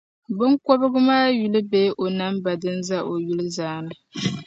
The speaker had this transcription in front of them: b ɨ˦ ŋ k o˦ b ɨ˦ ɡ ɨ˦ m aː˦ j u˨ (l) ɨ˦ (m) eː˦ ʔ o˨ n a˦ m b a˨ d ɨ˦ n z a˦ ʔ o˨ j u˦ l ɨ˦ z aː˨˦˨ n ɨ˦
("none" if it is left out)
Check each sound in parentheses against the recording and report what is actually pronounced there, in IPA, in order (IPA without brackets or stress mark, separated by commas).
l, b